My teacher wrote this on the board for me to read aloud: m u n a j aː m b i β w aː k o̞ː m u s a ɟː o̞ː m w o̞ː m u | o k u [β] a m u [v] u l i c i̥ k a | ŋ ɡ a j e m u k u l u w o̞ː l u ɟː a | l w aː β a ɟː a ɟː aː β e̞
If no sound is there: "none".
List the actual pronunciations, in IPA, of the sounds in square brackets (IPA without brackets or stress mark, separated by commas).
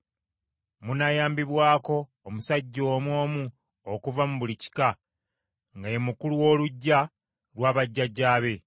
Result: v, β